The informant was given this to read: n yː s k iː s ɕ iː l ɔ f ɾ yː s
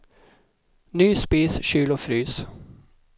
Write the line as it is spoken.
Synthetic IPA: n yː s p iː s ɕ yː l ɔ f ɾ yː s